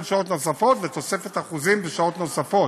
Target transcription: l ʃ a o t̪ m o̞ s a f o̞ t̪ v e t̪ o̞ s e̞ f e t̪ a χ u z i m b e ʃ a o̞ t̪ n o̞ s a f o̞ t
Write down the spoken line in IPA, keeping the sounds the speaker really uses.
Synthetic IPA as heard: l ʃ a o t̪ n o̞ s a f o̞ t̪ v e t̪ o̞ s e̞ f e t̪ a χ u z i m b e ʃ a o̞ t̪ n o̞ s a f o̞ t